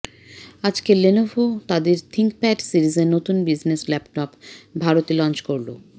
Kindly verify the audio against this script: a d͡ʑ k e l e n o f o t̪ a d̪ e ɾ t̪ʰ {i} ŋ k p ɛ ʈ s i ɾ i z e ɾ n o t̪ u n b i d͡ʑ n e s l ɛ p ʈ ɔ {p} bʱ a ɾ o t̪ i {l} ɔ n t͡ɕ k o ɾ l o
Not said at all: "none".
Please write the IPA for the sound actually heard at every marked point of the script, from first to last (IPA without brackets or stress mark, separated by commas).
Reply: i, p, l